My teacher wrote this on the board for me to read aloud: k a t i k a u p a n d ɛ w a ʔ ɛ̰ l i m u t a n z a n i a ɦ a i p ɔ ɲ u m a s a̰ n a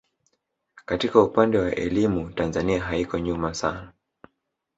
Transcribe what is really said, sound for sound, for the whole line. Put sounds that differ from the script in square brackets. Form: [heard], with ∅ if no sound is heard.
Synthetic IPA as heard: k a t i k a u p a n d ɛ w a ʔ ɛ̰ l i m u t a n z a n i a ɦ a i [k] ɔ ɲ u m a s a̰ n a